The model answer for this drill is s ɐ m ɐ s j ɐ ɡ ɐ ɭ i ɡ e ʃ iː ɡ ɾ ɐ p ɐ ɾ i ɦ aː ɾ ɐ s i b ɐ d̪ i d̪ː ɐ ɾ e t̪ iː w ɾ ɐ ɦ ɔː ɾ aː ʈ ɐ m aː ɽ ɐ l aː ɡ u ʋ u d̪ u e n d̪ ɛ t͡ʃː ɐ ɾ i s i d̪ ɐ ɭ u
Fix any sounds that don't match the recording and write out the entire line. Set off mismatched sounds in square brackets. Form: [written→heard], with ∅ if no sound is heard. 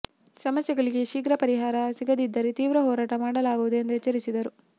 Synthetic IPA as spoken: s ɐ m ɐ s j ɐ ɡ ɐ ɭ i ɡ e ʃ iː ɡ ɾ ɐ p ɐ ɾ i ɦ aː ɾ ɐ s i [b→ɡ] ɐ d̪ i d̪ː ɐ ɾ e t̪ iː [w→ʋ] ɾ ɐ ɦ ɔː ɾ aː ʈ ɐ m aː ɽ ɐ l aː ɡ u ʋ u d̪ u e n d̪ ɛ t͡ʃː ɐ ɾ i s i d̪ ɐ [ɭ→ɾ] u